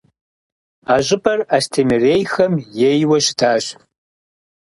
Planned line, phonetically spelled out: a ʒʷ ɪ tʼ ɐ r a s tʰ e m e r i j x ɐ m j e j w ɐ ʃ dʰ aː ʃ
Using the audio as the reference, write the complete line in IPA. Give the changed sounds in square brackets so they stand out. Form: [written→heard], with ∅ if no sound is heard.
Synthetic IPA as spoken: a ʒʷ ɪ [tʼ→pʼ] ɐ r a s tʰ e m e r [i→e] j x ɐ m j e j w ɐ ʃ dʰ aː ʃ